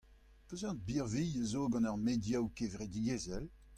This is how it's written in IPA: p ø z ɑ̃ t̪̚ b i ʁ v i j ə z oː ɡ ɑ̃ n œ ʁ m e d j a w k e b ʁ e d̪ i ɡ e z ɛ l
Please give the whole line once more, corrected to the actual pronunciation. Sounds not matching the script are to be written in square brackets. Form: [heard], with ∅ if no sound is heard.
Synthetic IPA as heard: p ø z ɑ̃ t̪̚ b i ʁ v i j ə z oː ɡ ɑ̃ n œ ʁ m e d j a w k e [v] ʁ e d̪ i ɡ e z ɛ l